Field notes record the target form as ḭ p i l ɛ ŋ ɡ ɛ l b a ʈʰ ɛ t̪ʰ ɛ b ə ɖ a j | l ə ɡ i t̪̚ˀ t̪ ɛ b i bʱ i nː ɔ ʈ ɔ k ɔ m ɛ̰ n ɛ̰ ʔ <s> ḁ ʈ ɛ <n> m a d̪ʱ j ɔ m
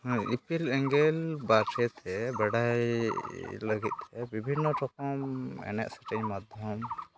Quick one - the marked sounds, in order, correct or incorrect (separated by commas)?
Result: correct, incorrect